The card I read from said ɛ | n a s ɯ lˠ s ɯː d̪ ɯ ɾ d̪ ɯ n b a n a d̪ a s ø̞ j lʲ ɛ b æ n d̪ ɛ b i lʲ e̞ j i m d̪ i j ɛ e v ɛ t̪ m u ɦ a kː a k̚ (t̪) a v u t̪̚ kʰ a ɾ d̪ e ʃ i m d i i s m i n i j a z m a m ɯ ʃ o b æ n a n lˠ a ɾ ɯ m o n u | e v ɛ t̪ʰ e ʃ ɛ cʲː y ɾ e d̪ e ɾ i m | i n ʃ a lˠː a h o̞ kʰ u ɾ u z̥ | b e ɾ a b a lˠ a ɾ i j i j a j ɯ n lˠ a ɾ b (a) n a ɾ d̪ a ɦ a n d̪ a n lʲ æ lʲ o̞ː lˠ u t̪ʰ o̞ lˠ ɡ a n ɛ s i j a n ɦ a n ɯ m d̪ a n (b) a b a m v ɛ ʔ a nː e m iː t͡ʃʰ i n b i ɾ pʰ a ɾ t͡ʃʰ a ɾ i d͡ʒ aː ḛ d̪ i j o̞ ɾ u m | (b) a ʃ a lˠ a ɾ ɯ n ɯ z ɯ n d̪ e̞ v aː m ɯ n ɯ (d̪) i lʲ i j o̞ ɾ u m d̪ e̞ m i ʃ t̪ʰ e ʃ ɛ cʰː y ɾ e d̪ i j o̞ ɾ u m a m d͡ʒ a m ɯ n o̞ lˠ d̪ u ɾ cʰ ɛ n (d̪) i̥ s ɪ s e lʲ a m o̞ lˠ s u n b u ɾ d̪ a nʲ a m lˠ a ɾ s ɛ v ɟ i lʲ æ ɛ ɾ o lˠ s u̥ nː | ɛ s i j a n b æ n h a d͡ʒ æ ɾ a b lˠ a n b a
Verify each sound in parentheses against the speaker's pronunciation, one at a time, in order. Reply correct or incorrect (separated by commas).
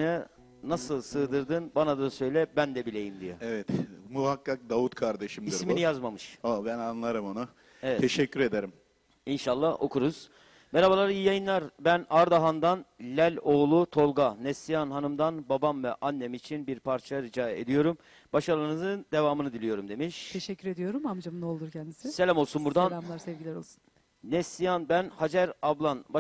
incorrect, incorrect, correct, correct, correct, correct